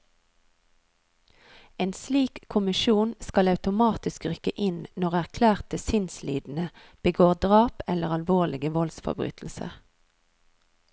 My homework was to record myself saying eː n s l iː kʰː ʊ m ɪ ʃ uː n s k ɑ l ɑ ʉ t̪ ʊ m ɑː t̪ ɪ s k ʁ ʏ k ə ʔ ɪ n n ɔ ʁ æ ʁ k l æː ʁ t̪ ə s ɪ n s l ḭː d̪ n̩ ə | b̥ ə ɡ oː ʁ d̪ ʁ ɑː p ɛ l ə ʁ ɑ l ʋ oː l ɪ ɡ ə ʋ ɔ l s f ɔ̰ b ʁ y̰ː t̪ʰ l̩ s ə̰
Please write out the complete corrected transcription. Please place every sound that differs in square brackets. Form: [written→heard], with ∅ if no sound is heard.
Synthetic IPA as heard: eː n s l iː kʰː ʊ m ɪ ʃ uː n s k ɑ l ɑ ʉ t̪ ʊ m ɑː t̪ ɪ s k ʁ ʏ k ə ʔ ɪ n n ɔ ʁ æ ʁ [k→kʰ] l æː ʁ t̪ ə s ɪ n s l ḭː d̪ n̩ ə | b̥ ə ɡ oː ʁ d̪ ʁ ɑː p ɛ l ə ʁ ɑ l ʋ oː l ɪ ɡ ə ʋ ɔ l s f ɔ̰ b ʁ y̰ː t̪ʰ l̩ s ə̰